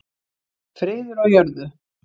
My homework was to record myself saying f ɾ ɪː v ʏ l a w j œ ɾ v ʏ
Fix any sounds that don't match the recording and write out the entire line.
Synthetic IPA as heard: f ɾ ɪː ð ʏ ɾ a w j œ ɾ ð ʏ